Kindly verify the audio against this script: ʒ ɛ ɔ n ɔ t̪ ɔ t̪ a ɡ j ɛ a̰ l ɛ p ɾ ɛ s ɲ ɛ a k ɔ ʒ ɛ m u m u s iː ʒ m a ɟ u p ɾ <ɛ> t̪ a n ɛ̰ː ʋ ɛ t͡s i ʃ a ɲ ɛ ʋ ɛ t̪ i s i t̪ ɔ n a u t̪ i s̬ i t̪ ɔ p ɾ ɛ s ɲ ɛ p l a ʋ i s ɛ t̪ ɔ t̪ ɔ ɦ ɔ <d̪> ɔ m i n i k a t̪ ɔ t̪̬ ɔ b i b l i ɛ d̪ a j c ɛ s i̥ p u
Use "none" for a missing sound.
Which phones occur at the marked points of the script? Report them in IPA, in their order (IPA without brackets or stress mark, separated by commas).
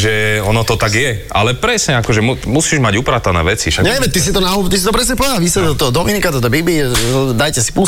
a, d̪